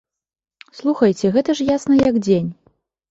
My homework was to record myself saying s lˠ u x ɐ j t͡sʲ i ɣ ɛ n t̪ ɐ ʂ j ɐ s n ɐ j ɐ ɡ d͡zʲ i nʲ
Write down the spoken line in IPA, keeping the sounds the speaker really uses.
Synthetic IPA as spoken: s lˠ u x ɐ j t͡sʲ ɛ ɣ ɛ t̪ ɐ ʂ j a s n ɐ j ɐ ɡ d͡zʲ e nʲ